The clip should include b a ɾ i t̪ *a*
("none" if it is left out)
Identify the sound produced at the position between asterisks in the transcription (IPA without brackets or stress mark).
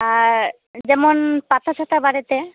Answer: e